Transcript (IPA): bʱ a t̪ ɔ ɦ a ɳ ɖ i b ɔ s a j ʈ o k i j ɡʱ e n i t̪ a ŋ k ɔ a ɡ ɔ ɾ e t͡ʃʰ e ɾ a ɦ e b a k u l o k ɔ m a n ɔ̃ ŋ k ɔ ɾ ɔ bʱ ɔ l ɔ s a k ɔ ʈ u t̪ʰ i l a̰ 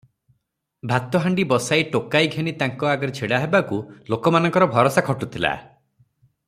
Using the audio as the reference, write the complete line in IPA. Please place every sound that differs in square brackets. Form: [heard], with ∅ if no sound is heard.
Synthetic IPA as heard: bʱ a t̪ ɔ ɦ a ɳ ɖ i b ɔ s a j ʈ o k [a] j ɡʱ e n i t̪ a ŋ k ɔ a ɡ ɔ ɾ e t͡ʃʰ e [ɽ] a ɦ e b a k u l o k ɔ m a n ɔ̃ ŋ k ɔ ɾ ɔ bʱ ɔ [ɾ] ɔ s a [kʰ] ɔ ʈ u t̪ʰ i l a̰